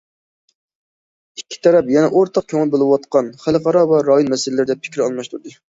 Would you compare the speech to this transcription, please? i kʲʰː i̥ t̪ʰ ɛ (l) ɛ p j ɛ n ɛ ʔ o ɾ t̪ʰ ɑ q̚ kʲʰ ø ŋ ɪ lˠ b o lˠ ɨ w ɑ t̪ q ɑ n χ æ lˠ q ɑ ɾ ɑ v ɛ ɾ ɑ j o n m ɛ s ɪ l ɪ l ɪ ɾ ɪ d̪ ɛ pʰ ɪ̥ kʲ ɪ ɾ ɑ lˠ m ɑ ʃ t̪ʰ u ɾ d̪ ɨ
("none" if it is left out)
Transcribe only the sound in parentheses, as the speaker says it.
ɾ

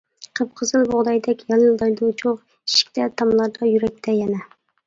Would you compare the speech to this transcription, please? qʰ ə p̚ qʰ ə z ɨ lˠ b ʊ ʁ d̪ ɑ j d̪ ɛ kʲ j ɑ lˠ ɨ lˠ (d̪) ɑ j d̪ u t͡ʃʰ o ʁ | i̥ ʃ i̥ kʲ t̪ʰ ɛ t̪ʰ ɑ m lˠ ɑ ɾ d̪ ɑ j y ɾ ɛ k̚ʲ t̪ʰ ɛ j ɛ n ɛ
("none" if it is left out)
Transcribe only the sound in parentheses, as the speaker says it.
d̪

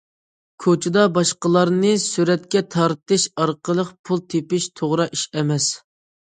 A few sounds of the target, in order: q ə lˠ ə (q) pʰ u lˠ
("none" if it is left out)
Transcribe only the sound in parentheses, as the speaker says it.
q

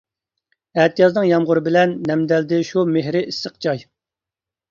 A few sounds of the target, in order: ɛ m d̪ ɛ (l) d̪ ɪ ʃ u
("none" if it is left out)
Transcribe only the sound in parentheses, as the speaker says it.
l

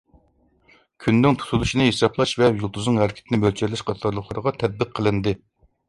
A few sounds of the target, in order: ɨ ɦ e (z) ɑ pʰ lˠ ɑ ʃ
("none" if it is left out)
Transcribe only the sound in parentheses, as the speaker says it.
s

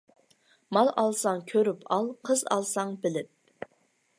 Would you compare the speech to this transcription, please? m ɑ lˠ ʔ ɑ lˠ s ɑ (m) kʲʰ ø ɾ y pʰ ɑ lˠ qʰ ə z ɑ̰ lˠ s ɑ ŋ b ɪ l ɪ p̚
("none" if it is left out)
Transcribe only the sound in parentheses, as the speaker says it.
ŋ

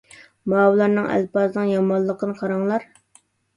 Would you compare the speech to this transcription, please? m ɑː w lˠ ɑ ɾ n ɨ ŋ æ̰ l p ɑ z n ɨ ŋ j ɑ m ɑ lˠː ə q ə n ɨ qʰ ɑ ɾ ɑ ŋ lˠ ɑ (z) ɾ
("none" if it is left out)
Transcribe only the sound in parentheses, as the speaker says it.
none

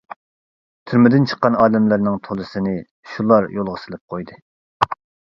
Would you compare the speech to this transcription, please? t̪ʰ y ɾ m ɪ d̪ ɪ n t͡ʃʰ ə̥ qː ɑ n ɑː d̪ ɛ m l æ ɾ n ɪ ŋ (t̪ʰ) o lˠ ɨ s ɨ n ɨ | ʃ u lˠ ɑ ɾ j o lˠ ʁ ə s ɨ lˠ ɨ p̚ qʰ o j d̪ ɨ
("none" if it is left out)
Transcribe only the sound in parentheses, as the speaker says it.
t̪ʰ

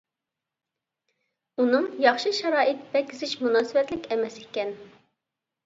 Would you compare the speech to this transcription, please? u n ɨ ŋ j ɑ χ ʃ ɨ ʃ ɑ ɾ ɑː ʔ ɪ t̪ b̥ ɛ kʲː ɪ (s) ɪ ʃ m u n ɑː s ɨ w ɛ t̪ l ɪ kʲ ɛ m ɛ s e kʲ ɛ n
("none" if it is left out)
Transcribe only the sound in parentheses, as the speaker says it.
z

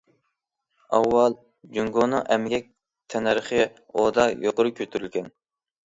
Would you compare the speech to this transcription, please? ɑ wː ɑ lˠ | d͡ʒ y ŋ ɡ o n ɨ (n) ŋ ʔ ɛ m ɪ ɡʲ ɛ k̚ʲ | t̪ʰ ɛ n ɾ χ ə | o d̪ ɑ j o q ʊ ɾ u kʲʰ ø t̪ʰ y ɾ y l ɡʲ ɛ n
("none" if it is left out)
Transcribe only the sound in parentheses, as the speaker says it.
none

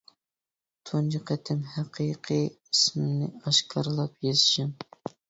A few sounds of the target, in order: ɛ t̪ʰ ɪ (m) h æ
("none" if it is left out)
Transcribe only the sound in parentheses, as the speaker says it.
m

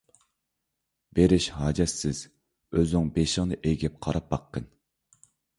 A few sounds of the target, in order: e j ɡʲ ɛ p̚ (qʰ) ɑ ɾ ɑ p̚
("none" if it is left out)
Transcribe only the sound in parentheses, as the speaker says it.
qʰ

